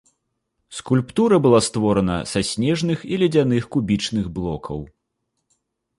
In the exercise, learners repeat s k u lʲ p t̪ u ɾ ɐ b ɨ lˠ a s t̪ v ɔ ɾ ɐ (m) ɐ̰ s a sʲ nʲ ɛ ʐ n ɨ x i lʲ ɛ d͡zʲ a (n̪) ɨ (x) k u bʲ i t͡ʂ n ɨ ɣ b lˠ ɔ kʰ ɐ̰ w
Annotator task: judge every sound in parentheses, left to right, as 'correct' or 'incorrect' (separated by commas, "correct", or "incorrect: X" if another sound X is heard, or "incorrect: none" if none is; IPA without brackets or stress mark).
incorrect: n, correct, correct